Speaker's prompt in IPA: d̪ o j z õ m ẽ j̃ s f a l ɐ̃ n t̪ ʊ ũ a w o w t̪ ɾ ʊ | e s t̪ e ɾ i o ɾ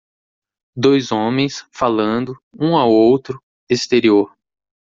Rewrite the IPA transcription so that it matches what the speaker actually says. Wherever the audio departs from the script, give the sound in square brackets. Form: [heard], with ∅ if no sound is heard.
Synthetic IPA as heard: d̪ o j z õ m ẽ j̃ s f a l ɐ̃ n [d̪] ʊ ũ a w o w t̪ ɾ ʊ | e s t̪ e ɾ i o ɾ

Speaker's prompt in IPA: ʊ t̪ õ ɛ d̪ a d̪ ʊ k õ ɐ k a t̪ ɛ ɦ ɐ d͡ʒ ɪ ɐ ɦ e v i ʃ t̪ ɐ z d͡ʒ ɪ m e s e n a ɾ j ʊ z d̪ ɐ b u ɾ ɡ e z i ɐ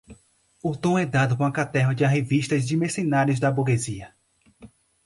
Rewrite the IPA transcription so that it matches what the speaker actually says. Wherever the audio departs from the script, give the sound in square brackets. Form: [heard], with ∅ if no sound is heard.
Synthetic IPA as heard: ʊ t̪ õ ɛ d̪ a d̪ ʊ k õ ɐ k a t̪ ɛ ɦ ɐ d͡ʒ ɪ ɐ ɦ e v i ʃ t̪ ɐ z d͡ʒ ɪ m e s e n a ɾ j ʊ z d̪ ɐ b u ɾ ɡ e z i ɐ

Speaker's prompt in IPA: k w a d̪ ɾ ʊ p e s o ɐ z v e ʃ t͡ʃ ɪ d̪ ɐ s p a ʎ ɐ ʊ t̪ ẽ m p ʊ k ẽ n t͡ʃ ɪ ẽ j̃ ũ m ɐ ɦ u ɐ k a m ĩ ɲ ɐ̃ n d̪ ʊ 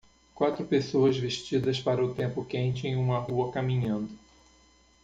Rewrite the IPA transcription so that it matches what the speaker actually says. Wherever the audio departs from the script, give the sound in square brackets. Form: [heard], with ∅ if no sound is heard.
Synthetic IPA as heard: k w a [t̪] ɾ ʊ p e s o ɐ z v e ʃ t͡ʃ [i] d̪ ɐ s p a [ɾ] ɐ ʊ t̪ ẽ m p ʊ k ẽ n t͡ʃ ɪ ẽ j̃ ũ m ɐ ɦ u ɐ k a m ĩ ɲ ɐ̃ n d̪ ʊ

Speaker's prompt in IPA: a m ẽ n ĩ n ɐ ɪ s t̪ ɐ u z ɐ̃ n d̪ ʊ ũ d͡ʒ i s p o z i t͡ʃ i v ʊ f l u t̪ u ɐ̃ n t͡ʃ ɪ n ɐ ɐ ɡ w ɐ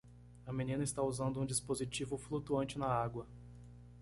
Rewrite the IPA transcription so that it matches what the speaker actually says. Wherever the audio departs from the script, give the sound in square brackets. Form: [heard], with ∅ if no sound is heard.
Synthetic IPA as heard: [ɐ] m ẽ n ĩ n ɐ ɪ s t̪ [a] u z ɐ̃ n d̪ ʊ ũ d͡ʒ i s p o z i t͡ʃ i v ʊ f l u t̪ u ɐ̃ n t͡ʃ ɪ n ɐ [a] ɡ w ɐ

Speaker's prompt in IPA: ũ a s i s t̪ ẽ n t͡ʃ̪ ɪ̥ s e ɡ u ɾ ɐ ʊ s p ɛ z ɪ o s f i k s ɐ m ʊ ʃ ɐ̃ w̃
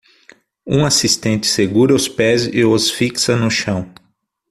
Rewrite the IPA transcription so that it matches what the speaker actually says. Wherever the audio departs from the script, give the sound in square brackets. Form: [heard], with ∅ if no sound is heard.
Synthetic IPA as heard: ũ a s i s t̪ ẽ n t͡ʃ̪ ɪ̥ s e ɡ u ɾ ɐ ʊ s p ɛ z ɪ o s f i k s ɐ [n] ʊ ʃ ɐ̃ w̃

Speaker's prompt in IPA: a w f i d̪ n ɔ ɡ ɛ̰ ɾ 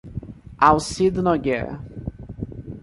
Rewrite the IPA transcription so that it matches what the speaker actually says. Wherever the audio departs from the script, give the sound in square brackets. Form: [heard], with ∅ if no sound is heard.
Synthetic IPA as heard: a w [s] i d̪ n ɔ ɡ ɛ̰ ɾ

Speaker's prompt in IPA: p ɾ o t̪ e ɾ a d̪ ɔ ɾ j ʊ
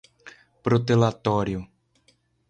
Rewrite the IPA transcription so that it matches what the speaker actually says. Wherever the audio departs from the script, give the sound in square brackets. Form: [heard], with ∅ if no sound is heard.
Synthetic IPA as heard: p ɾ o t̪ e [l] a [t̪] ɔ ɾ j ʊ

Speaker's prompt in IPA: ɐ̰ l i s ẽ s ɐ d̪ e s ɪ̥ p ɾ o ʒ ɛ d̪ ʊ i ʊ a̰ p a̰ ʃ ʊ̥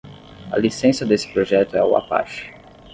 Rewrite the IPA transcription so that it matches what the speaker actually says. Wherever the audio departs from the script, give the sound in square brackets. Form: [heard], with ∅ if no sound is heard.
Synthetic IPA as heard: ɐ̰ l i s ẽ s ɐ d̪ e s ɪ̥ p ɾ o ʒ ɛ [t̪] ʊ [ɛ] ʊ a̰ p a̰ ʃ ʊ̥

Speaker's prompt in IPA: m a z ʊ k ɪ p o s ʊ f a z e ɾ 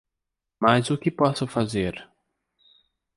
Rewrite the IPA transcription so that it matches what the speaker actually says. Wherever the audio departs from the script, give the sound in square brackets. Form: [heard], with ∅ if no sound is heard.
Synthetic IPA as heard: m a z ʊ k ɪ p [ɔ] s ʊ f a z e ɾ

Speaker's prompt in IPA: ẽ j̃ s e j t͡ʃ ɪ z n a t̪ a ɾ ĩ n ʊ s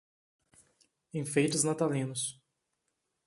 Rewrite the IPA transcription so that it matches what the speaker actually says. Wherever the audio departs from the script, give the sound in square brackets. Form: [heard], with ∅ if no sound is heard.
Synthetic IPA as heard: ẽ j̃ [f] e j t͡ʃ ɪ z n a t̪ a [l] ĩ n ʊ s

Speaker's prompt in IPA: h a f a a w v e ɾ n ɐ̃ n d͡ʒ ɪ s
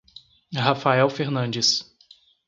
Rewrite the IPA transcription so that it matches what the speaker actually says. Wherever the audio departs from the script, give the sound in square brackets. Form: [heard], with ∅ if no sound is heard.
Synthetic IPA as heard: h a f a [ɛ] w [f] e ɾ n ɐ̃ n d͡ʒ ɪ s

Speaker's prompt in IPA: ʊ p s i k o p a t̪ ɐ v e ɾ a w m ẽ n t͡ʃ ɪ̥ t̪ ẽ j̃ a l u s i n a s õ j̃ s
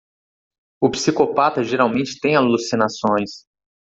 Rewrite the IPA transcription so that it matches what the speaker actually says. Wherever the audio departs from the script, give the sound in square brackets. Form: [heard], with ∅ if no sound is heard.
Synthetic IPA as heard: ʊ p s i k o p a t̪ ɐ [ʒ] e ɾ a w m ẽ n t͡ʃ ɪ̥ t̪ ẽ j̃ a l u s i n a s õ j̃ s

